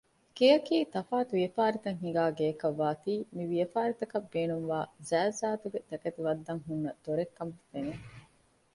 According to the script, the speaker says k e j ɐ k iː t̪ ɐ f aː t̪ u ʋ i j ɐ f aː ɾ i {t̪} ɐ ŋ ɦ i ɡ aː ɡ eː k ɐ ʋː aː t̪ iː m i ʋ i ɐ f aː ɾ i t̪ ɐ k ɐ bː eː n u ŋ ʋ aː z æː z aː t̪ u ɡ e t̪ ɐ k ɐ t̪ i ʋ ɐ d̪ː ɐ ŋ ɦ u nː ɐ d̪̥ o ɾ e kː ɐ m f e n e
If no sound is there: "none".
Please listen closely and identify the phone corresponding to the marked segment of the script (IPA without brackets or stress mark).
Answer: t̪